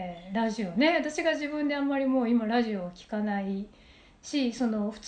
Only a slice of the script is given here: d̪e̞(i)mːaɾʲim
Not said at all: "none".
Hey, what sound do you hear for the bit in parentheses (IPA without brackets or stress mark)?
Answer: a